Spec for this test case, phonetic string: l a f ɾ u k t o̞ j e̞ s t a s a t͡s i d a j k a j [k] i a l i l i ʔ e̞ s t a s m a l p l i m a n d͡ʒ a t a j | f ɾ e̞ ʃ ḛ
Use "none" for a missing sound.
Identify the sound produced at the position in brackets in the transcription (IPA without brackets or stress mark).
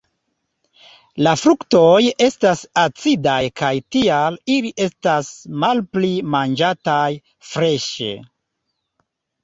t